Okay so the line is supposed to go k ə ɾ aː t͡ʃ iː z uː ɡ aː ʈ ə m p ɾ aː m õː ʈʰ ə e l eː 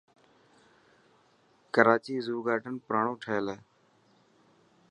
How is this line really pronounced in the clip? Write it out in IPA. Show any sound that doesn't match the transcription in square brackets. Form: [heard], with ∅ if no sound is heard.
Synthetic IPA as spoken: k ə ɾ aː t͡ʃ iː z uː ɡ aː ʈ ə [n] p ɾ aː [ɳ] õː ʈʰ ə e l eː

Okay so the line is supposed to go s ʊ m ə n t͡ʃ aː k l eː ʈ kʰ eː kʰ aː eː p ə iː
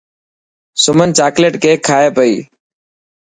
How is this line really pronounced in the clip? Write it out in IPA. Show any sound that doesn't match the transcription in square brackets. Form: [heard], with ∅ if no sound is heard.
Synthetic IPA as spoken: s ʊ m ə n t͡ʃ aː k l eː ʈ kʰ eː kʰ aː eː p ə iː

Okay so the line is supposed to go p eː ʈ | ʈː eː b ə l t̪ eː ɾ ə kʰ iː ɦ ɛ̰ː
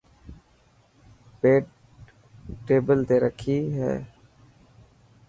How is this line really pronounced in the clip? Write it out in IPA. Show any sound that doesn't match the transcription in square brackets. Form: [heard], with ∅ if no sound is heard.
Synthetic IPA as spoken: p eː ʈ | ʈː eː b ə l t̪ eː ɾ ə kʰ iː ɦ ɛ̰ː

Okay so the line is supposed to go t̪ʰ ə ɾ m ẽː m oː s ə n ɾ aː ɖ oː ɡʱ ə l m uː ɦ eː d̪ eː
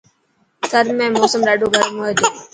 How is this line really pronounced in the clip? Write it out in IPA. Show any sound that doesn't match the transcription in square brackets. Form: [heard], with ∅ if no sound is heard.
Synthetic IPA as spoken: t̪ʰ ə ɾ m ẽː m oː s ə [m] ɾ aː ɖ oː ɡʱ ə [ɾ] m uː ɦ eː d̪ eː

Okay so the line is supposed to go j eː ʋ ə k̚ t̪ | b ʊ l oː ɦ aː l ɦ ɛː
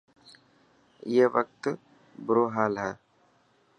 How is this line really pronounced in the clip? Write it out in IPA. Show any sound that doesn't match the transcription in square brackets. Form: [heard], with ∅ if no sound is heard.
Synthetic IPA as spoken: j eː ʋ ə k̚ t̪ | b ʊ [ɾ] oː ɦ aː l ɦ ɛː

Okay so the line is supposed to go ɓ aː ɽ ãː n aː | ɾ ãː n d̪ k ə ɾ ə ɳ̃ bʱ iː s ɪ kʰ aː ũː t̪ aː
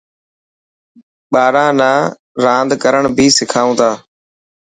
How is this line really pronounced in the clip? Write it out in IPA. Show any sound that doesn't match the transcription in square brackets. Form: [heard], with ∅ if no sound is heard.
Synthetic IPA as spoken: ɓ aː [ɾ] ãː n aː | ɾ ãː n d̪ k ə ɾ ə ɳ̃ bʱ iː s ɪ kʰ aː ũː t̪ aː

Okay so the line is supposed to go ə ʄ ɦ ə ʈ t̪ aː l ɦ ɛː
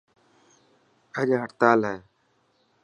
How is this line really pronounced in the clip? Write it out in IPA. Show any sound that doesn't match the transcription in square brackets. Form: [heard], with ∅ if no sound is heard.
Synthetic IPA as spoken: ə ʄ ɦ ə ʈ t̪ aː l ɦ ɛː

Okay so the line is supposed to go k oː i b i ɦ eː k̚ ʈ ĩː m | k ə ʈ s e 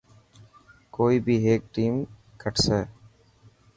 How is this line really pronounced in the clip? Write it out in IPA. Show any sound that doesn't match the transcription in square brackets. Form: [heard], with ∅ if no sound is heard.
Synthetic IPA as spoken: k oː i b i ɦ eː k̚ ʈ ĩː m | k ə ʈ s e

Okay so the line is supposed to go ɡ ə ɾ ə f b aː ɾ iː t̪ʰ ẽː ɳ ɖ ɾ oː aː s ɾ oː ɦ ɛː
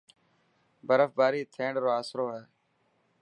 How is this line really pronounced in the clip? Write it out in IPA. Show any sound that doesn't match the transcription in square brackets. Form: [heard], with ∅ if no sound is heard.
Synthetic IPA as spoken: [b] ə ɾ ə f b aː ɾ iː t̪ʰ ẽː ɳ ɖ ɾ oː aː s ɾ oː ɦ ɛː

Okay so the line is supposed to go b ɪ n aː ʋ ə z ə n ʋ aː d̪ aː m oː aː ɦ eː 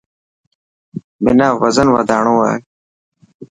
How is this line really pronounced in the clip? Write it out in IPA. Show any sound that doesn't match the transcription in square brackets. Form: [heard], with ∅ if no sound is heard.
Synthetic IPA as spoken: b ɪ n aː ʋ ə z ə n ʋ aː d̪ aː [ɳ] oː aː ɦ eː

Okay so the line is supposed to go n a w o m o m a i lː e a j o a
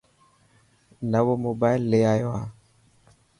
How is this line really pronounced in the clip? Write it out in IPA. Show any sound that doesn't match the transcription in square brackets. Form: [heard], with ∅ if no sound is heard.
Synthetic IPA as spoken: n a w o m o [b] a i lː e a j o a

